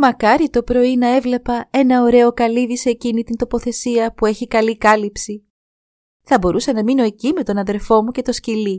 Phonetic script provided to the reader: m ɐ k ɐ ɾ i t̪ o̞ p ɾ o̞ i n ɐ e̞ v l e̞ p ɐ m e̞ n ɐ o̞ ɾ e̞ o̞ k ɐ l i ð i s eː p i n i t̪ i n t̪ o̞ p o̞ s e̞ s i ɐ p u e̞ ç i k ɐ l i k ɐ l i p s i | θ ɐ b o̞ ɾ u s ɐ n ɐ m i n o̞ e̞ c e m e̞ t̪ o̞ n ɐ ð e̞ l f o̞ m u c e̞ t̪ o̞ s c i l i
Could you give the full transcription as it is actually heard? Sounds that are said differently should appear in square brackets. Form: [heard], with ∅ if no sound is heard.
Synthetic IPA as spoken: m ɐ k ɐ ɾ i t̪ o̞ p ɾ o̞ i n ɐ e̞ v l e̞ p ɐ [∅] e̞ n ɐ o̞ ɾ e̞ o̞ k ɐ l i ð i s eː [c] i n i t̪ i n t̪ o̞ p o̞ [θ] e̞ s i ɐ p u e̞ ç i k ɐ l i k ɐ l i p s i | θ ɐ b o̞ ɾ u s ɐ n ɐ m i n o̞ e̞ c [i] m e̞ t̪ o̞ n ɐ ð e̞ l f o̞ m u c e̞ t̪ o̞ s c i l i